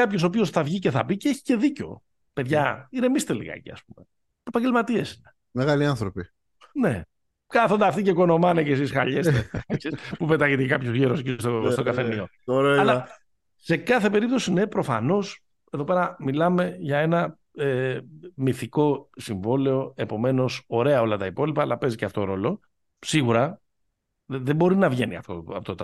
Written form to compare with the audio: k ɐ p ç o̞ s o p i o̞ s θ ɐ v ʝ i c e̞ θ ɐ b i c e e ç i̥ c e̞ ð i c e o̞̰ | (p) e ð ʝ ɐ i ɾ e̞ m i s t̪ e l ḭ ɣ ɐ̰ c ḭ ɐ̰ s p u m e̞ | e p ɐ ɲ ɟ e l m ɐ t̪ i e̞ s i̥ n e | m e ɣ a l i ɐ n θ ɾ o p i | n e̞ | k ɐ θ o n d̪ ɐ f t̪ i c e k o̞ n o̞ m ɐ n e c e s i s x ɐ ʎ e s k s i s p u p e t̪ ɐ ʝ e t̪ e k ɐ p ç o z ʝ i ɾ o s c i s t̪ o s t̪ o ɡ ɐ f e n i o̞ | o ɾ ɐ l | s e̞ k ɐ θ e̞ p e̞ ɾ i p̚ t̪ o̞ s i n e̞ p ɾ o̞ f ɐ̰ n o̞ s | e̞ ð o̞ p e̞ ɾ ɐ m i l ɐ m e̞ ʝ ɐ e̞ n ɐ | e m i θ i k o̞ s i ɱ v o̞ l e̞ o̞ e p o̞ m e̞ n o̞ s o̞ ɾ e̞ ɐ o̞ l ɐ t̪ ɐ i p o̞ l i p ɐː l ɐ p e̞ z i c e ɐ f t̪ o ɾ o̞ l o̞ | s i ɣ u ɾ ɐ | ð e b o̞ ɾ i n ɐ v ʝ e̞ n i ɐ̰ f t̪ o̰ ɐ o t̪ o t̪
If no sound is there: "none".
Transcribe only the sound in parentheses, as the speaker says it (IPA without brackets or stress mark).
p